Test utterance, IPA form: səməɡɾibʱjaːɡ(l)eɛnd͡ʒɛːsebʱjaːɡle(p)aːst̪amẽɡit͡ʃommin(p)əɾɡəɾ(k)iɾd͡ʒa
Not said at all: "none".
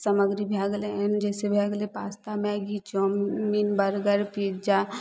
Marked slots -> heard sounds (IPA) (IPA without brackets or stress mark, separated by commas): l, p, b, p